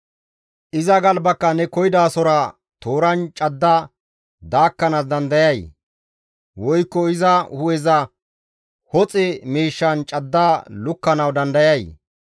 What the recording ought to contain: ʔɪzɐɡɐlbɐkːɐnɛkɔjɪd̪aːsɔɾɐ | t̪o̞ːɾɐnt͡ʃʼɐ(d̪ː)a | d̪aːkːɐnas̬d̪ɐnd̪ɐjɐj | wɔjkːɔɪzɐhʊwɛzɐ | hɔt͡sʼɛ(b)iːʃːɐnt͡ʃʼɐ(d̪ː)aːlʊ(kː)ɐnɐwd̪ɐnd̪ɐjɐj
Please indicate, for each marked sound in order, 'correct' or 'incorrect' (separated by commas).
correct, incorrect, correct, correct